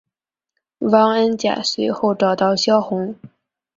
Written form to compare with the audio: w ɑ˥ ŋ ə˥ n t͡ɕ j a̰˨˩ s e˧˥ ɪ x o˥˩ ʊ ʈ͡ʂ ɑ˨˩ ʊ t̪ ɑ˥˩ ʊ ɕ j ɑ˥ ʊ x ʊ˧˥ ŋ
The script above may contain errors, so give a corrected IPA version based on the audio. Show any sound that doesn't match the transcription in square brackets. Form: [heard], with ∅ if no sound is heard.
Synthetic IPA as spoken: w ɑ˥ ŋ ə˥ n t͡ɕ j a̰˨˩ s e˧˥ ɪ x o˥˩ ʊ ʈ͡ʂ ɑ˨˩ ʊ t̪ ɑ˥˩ ʊ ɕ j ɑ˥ ʊ x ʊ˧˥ ŋ